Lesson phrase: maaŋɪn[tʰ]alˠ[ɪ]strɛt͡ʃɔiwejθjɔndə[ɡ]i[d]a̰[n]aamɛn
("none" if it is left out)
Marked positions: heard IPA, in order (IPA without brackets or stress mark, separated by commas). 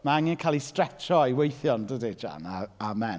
kʰ, i, d, d͡ʒ, n